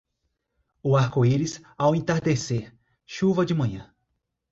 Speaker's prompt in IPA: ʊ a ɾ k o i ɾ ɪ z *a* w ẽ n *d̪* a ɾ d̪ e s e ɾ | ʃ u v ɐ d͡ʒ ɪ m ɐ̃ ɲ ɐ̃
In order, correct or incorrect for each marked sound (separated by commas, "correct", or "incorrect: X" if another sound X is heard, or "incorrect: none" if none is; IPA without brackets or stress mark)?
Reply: correct, incorrect: t̪